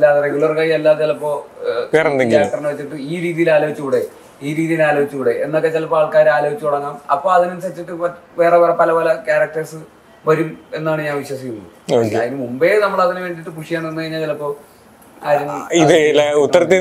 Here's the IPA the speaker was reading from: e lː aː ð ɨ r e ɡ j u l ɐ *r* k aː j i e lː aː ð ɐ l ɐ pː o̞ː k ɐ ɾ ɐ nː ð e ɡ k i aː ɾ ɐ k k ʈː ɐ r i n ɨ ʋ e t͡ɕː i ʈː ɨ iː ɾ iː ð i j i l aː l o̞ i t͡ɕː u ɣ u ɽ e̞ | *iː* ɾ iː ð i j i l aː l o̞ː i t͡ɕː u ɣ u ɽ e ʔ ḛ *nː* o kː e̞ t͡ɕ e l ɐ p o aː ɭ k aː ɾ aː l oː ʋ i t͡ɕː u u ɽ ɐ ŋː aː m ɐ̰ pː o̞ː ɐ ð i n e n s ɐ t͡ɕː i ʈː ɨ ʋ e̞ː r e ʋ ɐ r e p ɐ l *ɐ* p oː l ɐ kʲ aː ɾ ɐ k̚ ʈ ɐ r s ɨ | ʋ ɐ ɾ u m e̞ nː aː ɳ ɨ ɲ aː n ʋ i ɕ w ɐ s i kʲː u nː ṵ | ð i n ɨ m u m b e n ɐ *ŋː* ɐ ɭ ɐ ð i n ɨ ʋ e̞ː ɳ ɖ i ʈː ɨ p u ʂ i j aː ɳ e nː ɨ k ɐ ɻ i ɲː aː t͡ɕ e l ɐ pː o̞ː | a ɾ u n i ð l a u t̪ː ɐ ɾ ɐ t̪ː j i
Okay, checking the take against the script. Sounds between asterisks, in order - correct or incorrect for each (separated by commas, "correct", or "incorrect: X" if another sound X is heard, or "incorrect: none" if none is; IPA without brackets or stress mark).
correct, correct, correct, correct, incorrect: mː